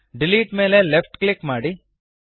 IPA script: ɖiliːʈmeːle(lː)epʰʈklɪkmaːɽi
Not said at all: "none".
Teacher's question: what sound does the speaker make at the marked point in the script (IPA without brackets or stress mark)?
l